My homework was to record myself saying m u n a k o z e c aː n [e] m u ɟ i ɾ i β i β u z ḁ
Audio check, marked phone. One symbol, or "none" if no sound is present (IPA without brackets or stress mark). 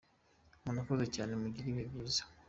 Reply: e